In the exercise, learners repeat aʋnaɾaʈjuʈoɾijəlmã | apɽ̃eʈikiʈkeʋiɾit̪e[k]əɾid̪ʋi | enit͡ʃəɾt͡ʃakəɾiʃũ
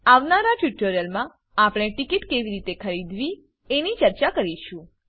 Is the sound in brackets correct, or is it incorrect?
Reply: incorrect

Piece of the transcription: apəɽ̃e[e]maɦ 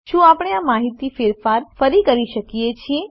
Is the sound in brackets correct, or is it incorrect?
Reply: incorrect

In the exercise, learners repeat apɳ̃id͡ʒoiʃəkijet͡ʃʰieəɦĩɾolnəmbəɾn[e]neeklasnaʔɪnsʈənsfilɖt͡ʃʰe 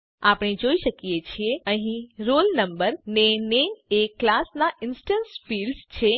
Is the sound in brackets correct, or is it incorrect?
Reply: correct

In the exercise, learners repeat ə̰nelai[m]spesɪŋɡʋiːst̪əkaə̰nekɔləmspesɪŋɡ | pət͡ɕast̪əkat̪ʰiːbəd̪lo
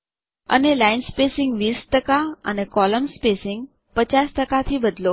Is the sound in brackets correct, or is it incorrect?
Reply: incorrect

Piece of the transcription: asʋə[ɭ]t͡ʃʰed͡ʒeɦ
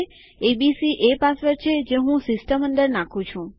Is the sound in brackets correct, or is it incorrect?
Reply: incorrect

